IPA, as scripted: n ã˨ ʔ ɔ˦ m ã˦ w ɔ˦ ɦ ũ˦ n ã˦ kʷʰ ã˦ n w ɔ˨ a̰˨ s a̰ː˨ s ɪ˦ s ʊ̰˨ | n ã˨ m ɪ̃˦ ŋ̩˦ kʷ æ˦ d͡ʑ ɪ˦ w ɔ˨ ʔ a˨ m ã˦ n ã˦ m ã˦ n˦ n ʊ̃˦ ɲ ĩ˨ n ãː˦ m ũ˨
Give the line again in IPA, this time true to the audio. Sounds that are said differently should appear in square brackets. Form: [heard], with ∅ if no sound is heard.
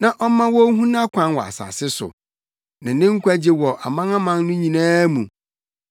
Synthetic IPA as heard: n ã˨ ʔ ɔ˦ m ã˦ w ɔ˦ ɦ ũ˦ n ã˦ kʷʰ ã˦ n w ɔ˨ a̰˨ s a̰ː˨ s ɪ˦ s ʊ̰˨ | n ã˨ [n] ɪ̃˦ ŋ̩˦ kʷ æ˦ d͡ʑ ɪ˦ w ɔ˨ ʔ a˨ m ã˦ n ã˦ m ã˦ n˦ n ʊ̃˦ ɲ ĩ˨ n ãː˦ m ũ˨